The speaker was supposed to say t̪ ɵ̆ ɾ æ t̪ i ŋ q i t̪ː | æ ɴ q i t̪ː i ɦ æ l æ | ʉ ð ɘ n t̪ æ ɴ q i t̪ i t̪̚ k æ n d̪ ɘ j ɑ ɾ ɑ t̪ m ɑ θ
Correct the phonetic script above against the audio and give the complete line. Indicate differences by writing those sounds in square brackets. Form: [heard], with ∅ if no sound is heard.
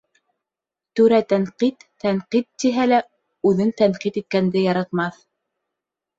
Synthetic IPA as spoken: t̪ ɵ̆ ɾ æ t̪ [æ] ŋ q i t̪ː | æ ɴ q i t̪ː i ɦ æ l æ | ʉ ð ɘ n t̪ æ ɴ q i t̪ i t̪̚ k æ n d̪ ɘ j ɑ ɾ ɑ t̪ m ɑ θ